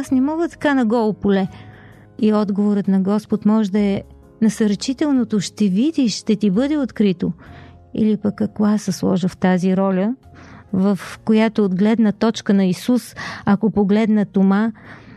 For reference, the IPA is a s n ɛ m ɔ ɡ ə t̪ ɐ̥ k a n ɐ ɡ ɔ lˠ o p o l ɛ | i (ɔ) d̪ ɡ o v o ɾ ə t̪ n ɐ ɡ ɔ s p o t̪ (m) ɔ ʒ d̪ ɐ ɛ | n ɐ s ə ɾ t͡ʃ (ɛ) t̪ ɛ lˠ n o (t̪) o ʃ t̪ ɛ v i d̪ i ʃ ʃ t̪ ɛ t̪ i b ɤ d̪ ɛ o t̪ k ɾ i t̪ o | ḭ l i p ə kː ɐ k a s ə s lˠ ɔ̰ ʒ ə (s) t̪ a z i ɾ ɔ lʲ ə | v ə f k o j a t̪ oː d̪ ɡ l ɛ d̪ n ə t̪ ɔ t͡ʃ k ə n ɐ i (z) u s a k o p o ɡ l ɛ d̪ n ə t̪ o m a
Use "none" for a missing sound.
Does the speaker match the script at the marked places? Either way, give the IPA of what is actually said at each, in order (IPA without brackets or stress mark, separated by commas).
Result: ɔ, m, i, t̪, f, s